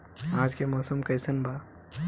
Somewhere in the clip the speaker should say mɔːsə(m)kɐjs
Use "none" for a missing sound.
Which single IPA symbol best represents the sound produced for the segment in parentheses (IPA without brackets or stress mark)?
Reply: m